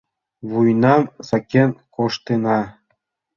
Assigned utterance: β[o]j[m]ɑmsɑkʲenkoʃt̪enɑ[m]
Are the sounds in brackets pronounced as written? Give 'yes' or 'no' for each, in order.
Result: no, no, no

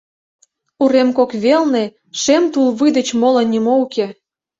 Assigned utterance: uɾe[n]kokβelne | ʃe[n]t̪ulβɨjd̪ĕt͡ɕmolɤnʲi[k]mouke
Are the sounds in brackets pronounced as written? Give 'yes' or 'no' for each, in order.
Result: no, no, no

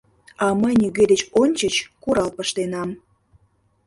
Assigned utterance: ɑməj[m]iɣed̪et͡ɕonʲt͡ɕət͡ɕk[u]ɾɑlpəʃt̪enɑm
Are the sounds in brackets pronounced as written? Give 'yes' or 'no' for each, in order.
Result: no, yes

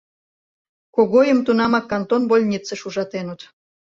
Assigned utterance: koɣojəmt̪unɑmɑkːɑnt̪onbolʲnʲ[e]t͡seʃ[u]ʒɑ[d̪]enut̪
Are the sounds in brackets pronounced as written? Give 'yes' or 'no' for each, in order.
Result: no, yes, no

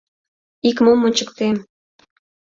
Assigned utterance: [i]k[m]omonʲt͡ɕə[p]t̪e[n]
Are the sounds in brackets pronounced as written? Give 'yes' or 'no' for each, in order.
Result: yes, yes, no, no

